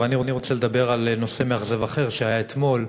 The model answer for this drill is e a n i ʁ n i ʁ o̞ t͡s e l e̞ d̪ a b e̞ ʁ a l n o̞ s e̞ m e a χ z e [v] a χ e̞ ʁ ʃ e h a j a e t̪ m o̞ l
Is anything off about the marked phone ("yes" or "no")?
no